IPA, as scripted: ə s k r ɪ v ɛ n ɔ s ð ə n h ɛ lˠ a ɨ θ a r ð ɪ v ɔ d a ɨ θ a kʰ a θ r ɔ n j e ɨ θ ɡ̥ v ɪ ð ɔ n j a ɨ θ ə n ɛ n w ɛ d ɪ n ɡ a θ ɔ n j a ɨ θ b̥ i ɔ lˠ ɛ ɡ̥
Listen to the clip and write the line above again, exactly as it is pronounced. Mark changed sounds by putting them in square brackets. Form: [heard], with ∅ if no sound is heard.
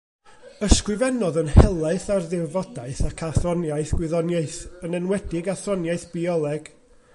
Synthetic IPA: ə s k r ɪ v ɛ n ɔ [∅] ð ə n h ɛ lˠ a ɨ θ a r ð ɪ v ɔ d a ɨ θ a kʰ a θ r ɔ n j [a] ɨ θ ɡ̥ [w] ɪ ð ɔ n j a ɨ θ ə n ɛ n w ɛ d ɪ [∅] ɡ a θ ɔ n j a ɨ θ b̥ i ɔ lˠ ɛ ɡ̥